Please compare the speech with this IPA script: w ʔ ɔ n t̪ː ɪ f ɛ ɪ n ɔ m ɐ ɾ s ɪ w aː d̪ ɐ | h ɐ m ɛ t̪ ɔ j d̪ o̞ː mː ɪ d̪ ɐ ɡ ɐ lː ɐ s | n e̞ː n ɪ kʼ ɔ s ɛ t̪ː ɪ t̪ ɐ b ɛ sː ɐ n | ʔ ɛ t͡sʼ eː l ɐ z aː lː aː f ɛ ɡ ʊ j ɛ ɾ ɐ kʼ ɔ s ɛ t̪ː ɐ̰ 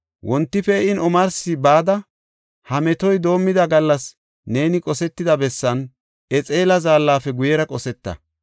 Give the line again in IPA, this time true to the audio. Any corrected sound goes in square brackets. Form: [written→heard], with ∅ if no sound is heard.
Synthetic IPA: w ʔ ɔ n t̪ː ɪ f ɛ ɪ n ɔ m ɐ ɾ s ɪ [w→b] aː d̪ ɐ | h ɐ m ɛ t̪ ɔ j d̪ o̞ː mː ɪ d̪ ɐ ɡ ɐ lː ɐ s | n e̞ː n ɪ kʼ ɔ s ɛ t̪ː ɪ [t̪→d̪] ɐ b ɛ sː ɐ n | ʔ ɛ t͡sʼ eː l ɐ z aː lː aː f ɛ ɡ ʊ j ɛ ɾ ɐ kʼ ɔ s ɛ t̪ː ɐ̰

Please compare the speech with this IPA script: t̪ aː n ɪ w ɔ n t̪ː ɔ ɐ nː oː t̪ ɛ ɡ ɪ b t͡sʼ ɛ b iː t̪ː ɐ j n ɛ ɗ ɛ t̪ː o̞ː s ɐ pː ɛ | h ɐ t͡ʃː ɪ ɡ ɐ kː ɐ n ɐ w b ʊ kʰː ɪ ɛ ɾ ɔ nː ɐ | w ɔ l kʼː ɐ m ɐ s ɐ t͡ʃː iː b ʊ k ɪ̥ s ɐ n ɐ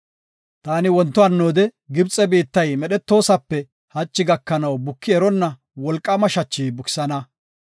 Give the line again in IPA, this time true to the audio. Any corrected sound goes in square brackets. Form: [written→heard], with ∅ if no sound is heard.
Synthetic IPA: t̪ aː n ɪ w ɔ n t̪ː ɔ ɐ nː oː [t̪→d̪] ɛ ɡ ɪ b t͡sʼ ɛ b iː t̪ː ɐ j [n→m] ɛ ɗ ɛ t̪ː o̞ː s ɐ pː ɛ | h ɐ t͡ʃː ɪ ɡ ɐ kː ɐ n ɐ w b ʊ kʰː ɪ ɛ ɾ ɔ nː ɐ | w ɔ l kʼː ɐ m ɐ [s→ʃ] ɐ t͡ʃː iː b ʊ k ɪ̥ s ɐ n ɐ

